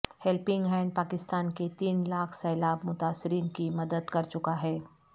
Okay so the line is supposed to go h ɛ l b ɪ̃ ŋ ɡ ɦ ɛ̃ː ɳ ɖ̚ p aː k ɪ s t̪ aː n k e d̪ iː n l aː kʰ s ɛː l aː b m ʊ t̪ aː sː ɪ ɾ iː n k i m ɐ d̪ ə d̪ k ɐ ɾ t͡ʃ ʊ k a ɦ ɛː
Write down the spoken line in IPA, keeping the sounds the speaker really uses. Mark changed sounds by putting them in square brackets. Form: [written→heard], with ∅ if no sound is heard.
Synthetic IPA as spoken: h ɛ l [b→p] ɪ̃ ŋ ɡ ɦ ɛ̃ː ɳ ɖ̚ p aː k ɪ s t̪ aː n k e [d̪→t̪] iː n l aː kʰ s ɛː l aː b m ʊ t̪ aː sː ɪ ɾ iː n k i m ɐ d̪ ə d̪ k ɐ ɾ t͡ʃ ʊ k a ɦ ɛː

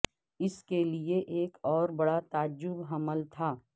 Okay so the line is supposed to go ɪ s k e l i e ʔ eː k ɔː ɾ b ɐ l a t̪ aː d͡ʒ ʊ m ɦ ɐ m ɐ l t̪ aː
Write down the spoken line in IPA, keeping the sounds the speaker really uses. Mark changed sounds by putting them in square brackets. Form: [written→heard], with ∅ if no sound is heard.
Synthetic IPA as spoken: ɪ s k e l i e ʔ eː k ɔː ɾ b ɐ [l→ɽ] a t̪ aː d͡ʒ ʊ [m→b] ɦ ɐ m [ɐ→ə] l [t̪→t̪ʰ] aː

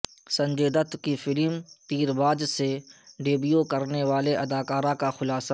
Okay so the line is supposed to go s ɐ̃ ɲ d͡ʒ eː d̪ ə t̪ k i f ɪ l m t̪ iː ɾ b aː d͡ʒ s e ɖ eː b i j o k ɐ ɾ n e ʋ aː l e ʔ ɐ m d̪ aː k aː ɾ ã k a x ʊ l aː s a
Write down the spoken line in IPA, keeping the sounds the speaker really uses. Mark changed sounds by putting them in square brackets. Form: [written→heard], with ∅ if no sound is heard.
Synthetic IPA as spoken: s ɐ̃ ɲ d͡ʒ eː d̪ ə t̪ k i f ɪ l m t̪ iː ɾ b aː d͡ʒ s e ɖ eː b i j o k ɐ ɾ n e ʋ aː l e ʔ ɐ [m→∅] d̪ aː k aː ɾ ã k a x ʊ l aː s a

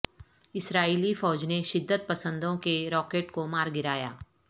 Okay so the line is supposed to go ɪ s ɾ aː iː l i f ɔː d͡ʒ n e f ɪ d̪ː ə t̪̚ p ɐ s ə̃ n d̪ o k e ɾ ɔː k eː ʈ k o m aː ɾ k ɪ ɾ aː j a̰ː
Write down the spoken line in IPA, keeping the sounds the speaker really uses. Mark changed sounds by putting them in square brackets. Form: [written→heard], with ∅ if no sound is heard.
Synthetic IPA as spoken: ɪ s ɾ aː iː l i f ɔː d͡ʒ n e [f→ʃ] ɪ d̪ː ə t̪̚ p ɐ s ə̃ n d̪ [o→õ] k e ɾ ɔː k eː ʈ k o m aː ɾ [k→ɡ] ɪ ɾ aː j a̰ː

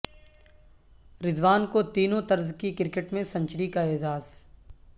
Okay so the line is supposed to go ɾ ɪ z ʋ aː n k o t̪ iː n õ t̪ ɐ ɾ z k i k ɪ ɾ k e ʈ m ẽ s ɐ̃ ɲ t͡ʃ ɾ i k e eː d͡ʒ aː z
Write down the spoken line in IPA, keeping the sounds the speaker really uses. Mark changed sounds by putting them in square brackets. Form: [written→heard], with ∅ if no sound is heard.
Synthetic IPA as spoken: ɾ ɪ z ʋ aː n k o t̪ iː n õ t̪ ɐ ɾ z k i k ɪ ɾ k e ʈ m ẽ s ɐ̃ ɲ t͡ʃ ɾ i k [e→a] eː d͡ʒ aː z

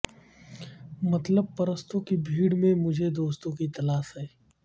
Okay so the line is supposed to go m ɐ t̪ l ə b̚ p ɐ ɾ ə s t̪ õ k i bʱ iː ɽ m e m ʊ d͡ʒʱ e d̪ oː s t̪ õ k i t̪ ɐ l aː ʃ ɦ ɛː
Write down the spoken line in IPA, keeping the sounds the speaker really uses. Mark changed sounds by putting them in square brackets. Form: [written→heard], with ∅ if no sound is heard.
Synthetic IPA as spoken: m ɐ t̪ l ə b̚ p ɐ ɾ ə s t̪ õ k i bʱ iː ɽ m [e→ẽ] m ʊ d͡ʒʱ e d̪ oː s t̪ õ k i t̪ ɐ l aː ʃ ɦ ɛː

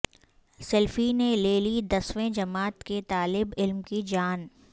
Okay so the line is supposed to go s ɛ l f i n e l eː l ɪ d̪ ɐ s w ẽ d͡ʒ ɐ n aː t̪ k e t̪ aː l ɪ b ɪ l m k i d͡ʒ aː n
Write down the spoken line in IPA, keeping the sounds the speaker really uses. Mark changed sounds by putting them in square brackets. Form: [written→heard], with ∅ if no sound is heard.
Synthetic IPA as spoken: s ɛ l f i n e l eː l [ɪ→i] d̪ ɐ s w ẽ d͡ʒ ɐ [n→m] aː t̪ k e t̪ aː l ɪ b ɪ l m k i d͡ʒ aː n

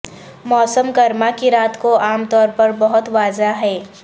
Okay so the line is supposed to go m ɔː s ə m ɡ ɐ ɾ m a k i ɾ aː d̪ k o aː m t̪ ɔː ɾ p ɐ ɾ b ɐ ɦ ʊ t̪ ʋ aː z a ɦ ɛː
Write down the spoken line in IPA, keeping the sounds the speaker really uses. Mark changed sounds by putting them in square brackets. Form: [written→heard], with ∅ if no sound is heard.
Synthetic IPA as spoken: m ɔː s ə m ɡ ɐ ɾ m a k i ɾ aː [d̪→t̪] k o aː m t̪ ɔː ɾ p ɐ ɾ b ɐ ɦ ʊ t̪ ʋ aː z a ɦ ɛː

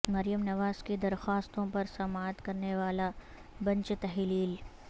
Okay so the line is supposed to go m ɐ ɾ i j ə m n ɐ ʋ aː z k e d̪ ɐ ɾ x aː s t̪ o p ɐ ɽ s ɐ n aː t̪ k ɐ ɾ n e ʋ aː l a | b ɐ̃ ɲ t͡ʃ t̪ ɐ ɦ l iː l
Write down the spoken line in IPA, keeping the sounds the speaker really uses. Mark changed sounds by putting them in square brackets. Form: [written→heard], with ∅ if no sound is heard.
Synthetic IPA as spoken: m ɐ ɾ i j ə m n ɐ ʋ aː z k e d̪ ɐ ɾ x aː s t̪ [o→õ] p ɐ [ɽ→ɾ] s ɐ [n→m] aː t̪ k ɐ ɾ n e ʋ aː l a | b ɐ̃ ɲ t͡ʃ t̪ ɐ ɦ l iː l

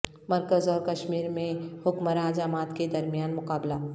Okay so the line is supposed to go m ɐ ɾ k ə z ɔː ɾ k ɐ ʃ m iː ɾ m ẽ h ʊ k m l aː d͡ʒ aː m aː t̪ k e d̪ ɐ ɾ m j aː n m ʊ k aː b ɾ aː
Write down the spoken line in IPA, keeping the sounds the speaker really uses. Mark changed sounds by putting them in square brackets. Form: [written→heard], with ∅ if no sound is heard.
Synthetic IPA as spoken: m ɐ ɾ k ə z ɔː ɾ k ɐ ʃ m iː ɾ m ẽ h ʊ k m [l→ɾ] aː d͡ʒ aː m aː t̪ k e d̪ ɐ ɾ m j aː n m ʊ k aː b [ɾ→l] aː

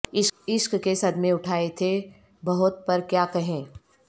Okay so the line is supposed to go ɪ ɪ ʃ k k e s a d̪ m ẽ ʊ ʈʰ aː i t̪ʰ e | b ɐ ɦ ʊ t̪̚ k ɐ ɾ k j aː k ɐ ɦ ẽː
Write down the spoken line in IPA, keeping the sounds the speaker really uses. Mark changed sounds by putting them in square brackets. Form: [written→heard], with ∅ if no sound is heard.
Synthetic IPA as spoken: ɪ ɪ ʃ k k e s [a→ɐ] d̪ m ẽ ʊ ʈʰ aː [i→e] t̪ʰ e | b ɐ ɦ ʊ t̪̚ [k→p] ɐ ɾ k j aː k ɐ ɦ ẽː

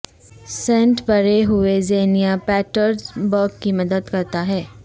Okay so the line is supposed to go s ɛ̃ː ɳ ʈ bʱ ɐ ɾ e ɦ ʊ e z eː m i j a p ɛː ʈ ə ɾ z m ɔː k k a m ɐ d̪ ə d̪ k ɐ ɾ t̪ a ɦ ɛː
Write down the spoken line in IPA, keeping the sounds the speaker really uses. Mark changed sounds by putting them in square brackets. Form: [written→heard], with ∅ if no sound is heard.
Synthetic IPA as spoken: s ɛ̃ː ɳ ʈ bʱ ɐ ɾ e ɦ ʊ e z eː [m→n] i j a p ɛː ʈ ə ɾ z [m→b] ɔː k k [a→i] m ɐ d̪ ə d̪ k ɐ ɾ t̪ a ɦ ɛː

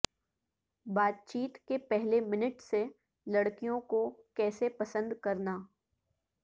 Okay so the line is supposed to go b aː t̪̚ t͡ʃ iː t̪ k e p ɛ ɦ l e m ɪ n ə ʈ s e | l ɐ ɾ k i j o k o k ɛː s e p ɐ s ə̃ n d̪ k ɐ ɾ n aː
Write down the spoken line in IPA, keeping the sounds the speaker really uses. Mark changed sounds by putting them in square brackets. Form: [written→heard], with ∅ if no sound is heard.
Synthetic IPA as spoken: b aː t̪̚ t͡ʃ iː t̪ k e p ɛ ɦ l e m ɪ n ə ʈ s e | l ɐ [ɾ→ɽ] k i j [o→õ] k o k ɛː s e p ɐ s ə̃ n d̪ k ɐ ɾ n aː

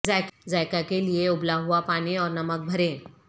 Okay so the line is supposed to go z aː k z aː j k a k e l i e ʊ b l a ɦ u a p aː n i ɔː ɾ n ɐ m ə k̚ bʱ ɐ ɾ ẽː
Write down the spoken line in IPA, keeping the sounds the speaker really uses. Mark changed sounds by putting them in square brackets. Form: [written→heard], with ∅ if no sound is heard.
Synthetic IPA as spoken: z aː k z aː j k a k e l i e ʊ b l a ɦ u a p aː n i ɔː ɾ n ɐ m ə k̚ bʱ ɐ ɾ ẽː

